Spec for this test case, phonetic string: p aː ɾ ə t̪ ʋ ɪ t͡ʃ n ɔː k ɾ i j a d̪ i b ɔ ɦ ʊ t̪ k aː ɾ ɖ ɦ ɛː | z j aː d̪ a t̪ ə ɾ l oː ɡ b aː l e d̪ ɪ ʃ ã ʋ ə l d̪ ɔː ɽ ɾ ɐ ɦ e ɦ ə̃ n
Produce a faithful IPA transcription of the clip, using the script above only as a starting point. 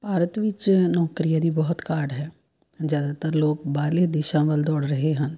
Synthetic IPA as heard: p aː ɾ ə t̪ ʋ ɪ t͡ʃ n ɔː k ɾ i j a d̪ i b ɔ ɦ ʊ t̪ k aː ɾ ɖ ɦ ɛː | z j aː d̪ a t̪ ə ɾ l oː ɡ b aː l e d̪ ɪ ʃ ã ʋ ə l d̪ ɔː ɽ ɾ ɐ ɦ e ɦ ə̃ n